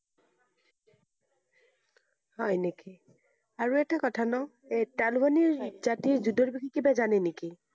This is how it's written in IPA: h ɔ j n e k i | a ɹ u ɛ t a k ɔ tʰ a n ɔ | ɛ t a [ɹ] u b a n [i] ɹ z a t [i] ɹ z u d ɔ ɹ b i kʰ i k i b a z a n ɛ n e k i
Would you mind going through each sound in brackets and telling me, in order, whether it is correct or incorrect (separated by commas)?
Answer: incorrect, correct, correct